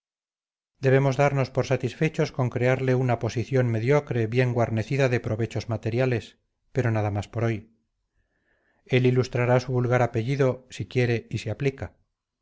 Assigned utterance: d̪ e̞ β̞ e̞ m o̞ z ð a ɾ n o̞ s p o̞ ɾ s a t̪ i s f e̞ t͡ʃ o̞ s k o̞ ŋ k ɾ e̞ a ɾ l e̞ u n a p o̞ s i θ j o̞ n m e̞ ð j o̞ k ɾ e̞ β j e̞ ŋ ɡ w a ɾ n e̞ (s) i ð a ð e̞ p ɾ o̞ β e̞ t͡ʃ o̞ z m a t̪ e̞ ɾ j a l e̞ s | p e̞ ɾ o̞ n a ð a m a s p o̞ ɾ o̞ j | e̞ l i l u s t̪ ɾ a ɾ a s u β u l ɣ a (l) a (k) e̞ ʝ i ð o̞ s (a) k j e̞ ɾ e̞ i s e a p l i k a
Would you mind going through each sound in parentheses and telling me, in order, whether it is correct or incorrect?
incorrect: θ, incorrect: ɾ, incorrect: p, incorrect: i

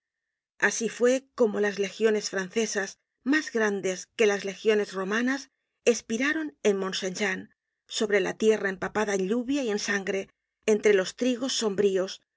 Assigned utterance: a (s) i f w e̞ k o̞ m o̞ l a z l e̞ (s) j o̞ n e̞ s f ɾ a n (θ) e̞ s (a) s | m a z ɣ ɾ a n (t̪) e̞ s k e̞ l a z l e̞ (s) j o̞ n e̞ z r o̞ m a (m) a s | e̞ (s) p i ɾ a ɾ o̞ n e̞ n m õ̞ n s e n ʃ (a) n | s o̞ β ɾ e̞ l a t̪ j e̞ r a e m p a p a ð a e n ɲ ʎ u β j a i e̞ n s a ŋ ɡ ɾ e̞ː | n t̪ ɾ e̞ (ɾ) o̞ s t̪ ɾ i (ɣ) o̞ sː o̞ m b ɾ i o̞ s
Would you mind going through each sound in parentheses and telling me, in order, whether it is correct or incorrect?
correct, incorrect: x, correct, correct, incorrect: d̪, incorrect: x, incorrect: n, correct, correct, incorrect: l, correct

